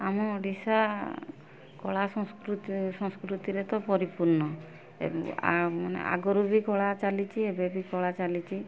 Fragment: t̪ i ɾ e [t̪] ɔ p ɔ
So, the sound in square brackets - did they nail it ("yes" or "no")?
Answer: yes